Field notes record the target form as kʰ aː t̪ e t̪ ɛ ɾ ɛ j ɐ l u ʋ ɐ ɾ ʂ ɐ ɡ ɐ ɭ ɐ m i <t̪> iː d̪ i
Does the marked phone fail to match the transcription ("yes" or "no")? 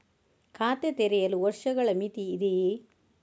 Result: no